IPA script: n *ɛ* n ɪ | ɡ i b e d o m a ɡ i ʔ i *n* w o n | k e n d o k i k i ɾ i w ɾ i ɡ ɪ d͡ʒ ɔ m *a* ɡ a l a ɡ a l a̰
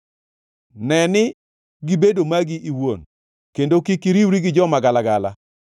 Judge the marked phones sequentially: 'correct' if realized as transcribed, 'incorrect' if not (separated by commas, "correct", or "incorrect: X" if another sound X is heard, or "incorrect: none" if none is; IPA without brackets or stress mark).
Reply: correct, incorrect: none, correct